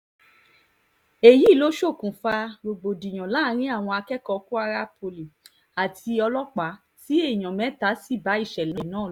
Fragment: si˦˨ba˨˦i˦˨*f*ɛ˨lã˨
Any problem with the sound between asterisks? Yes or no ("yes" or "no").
yes